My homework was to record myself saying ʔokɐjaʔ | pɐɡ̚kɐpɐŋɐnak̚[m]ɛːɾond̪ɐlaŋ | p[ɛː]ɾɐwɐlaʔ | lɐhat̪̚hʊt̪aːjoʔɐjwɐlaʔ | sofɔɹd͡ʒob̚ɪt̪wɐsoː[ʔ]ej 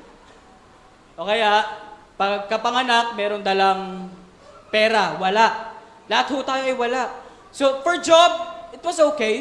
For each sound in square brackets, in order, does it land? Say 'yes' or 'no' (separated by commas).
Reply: yes, yes, no